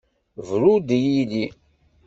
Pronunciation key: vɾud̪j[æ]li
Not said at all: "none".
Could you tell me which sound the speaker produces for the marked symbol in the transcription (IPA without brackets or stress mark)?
i